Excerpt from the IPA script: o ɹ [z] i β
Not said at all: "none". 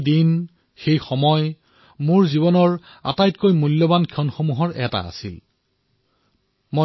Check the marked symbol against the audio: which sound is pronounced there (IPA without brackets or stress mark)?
z